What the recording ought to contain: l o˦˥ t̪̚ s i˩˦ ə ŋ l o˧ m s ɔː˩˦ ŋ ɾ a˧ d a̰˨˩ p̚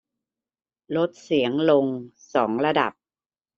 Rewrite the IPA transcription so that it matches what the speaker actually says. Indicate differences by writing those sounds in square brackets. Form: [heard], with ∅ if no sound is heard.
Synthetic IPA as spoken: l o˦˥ t̪̚ s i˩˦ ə ŋ l o˧ [ŋ] s ɔː˩˦ ŋ ɾ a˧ d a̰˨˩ p̚